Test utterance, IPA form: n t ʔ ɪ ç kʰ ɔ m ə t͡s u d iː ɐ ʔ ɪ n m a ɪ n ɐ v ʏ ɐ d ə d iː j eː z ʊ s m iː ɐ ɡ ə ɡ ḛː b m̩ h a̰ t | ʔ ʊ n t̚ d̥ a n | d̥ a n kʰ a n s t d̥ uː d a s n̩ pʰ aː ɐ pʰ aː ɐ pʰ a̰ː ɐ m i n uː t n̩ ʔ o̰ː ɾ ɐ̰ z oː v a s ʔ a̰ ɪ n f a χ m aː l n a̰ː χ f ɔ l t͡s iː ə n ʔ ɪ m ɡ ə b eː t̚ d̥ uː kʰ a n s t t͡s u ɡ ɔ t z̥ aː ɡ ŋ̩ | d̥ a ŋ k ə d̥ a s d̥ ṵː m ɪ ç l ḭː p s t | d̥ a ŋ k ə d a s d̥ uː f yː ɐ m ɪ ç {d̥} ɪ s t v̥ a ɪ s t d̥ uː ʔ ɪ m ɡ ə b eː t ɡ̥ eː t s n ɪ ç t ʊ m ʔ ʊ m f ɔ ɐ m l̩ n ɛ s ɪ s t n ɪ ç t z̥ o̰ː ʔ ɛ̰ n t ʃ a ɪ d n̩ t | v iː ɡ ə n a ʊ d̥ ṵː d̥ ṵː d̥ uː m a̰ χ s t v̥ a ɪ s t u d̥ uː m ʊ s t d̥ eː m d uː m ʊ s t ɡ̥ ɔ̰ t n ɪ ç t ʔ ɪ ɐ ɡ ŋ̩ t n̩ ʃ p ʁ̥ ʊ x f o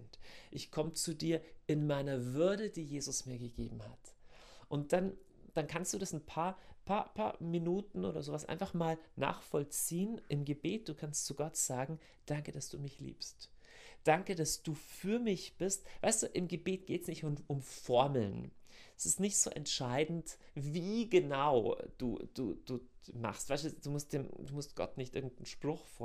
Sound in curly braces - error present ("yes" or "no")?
yes